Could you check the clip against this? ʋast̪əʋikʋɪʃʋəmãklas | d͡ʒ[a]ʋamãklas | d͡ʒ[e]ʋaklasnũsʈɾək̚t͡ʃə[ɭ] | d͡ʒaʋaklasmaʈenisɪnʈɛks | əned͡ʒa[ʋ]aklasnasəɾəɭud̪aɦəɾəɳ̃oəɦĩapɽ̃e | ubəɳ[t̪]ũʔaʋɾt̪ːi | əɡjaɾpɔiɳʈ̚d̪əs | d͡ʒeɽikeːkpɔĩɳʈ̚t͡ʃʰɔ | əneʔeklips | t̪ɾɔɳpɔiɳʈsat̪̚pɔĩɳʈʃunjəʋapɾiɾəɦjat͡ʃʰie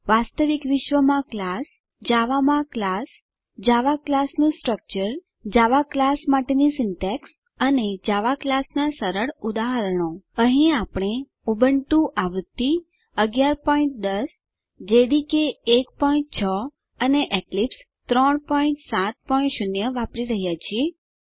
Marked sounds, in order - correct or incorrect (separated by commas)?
correct, incorrect, incorrect, correct, correct